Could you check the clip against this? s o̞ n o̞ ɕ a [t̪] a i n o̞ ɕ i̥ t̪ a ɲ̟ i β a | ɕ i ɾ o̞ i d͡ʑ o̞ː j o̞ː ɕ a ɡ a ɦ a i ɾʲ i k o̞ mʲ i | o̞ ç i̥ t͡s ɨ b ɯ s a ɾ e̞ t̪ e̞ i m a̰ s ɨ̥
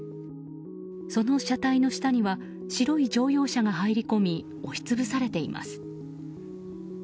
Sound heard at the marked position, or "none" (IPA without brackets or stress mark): t̪